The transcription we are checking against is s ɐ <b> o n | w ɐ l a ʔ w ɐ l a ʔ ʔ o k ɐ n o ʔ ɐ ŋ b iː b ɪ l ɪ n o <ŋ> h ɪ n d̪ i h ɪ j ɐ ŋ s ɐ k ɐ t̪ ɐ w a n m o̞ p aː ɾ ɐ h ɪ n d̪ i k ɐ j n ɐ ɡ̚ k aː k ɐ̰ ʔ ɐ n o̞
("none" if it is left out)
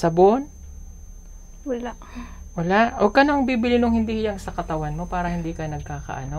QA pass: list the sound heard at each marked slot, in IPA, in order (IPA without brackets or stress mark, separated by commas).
b, ŋ